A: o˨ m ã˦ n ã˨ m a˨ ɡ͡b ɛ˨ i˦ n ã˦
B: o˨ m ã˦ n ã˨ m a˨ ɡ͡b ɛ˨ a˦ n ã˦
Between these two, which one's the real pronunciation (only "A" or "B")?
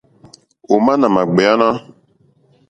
B